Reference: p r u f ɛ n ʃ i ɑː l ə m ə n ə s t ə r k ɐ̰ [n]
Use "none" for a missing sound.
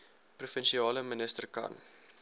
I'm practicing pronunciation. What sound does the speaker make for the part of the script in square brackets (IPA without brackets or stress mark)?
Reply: n